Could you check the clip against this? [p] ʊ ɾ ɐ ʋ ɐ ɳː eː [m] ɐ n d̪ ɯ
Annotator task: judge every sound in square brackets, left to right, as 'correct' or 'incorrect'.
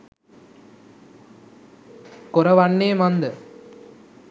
incorrect, correct

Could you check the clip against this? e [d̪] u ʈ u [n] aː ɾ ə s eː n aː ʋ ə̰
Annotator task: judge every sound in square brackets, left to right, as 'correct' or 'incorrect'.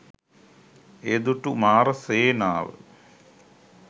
correct, incorrect

